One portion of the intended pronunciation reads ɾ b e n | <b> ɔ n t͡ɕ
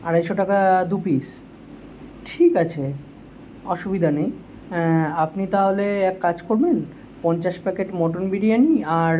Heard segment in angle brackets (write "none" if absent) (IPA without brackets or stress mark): p